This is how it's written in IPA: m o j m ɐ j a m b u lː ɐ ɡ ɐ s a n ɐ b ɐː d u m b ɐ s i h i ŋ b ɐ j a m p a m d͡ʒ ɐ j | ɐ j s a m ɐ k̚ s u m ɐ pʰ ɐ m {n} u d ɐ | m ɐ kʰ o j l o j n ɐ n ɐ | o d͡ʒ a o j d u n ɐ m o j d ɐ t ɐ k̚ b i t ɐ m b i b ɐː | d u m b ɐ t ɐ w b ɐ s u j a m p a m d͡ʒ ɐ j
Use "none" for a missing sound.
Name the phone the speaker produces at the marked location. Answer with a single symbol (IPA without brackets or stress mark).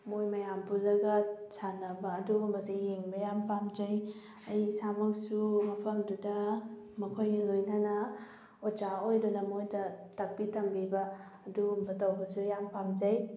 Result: d